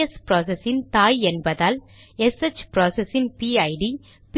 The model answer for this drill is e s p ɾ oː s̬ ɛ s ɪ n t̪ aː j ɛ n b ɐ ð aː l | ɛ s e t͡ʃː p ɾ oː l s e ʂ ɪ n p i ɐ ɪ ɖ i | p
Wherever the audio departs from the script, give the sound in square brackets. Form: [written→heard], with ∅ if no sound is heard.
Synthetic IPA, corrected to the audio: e s p ɾ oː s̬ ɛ s ɪ n t̪ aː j ɛ n b ɐ ð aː l | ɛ s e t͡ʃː p ɾ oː [l→∅] s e [ʂ→s] ɪ n p i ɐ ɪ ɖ i | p